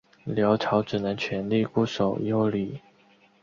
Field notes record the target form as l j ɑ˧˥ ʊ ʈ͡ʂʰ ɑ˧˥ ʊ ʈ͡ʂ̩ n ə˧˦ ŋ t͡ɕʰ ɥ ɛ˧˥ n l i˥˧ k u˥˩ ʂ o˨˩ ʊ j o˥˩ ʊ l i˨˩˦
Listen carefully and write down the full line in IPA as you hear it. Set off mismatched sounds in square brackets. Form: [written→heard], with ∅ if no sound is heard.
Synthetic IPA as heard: l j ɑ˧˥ ʊ ʈ͡ʂʰ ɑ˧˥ ʊ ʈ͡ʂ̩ n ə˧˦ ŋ t͡ɕʰ ɥ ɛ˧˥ n l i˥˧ k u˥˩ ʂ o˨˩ ʊ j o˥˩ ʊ l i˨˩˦